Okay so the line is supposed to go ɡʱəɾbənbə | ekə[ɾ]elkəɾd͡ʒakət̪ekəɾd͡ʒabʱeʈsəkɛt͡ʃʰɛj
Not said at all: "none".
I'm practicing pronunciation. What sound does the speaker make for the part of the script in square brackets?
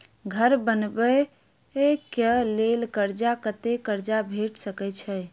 l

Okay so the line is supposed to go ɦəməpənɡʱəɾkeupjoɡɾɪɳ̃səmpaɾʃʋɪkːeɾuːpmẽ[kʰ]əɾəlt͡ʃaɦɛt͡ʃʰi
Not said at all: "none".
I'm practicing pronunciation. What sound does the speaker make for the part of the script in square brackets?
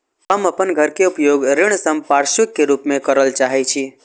k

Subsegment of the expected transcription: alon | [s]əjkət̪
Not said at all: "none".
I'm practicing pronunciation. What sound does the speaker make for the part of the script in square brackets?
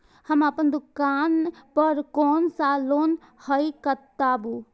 h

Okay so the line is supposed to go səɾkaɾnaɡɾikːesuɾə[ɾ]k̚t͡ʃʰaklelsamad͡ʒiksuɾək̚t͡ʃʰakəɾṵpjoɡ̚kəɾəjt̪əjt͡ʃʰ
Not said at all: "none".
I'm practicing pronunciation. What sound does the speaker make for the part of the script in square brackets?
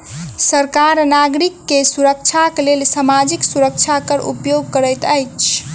none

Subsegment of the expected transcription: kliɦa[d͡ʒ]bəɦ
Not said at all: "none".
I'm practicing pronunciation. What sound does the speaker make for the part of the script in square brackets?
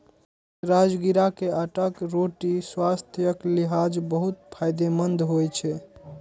d͡ʒ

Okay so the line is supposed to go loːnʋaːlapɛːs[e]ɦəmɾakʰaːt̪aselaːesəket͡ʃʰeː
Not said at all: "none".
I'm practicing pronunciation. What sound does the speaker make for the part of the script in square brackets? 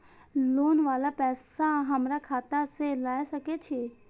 a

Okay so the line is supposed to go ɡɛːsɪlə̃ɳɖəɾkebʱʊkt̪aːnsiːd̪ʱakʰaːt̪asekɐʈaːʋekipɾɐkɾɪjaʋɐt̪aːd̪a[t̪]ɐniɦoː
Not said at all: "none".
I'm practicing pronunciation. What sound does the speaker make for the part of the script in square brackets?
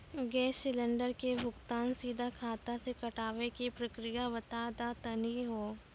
t̪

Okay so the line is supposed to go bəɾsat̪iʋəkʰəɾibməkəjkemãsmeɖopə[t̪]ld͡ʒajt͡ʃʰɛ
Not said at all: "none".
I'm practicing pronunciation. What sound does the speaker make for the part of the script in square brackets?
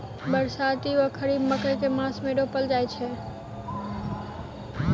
none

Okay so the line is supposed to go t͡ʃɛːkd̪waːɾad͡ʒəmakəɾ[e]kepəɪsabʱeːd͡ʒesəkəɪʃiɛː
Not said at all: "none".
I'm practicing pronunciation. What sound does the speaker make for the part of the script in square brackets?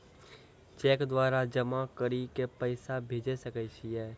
i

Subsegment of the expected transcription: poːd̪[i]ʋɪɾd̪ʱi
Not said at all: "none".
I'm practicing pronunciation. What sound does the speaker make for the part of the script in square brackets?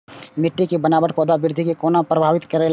a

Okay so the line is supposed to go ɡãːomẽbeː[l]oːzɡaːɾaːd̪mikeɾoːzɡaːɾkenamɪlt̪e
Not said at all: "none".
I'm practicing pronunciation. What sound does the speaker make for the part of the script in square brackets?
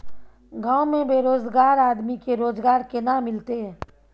ɾ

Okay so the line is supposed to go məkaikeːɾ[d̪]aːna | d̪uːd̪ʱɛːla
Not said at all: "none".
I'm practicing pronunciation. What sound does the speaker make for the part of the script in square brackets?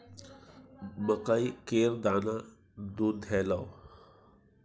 d̪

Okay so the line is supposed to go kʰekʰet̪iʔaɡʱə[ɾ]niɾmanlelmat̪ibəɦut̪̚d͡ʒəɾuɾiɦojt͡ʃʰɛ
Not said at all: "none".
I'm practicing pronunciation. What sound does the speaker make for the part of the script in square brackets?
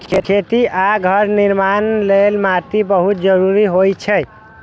ɾ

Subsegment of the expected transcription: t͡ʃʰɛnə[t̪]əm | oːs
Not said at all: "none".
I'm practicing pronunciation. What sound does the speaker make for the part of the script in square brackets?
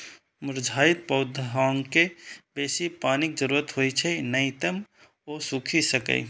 t̪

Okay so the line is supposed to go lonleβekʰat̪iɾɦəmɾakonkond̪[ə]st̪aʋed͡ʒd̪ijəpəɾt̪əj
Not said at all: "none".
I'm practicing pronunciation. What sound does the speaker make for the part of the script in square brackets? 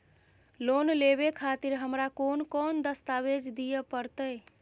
ə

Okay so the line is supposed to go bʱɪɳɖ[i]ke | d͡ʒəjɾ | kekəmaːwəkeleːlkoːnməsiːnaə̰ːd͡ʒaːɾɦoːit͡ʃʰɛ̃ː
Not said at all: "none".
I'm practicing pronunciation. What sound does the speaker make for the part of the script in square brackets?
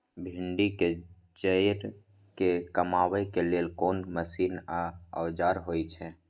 i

